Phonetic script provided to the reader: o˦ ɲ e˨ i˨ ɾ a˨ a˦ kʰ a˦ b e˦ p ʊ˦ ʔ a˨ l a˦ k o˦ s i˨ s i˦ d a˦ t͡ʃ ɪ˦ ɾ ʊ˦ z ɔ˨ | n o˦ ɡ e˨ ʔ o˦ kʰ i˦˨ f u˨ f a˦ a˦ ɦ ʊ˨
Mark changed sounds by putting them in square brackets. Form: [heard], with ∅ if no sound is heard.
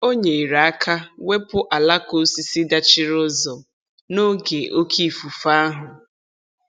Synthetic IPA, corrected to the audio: o˦ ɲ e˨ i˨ ɾ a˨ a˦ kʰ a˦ [w] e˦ p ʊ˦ ʔ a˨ l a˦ k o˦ s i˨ s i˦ d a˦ t͡ʃ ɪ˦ ɾ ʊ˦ z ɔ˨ | n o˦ ɡ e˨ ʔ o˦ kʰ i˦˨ f u˨ f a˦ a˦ ɦ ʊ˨